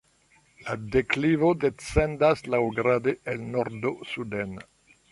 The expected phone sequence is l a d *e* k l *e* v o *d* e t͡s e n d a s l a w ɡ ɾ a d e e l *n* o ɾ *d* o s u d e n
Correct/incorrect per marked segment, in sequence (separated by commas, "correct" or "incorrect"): correct, incorrect, correct, correct, correct